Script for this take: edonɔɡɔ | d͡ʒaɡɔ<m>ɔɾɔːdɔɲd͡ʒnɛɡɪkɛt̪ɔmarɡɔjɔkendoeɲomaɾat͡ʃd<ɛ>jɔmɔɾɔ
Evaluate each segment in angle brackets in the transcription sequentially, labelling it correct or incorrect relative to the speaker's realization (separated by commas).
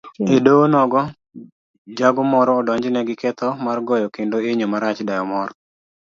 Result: correct, incorrect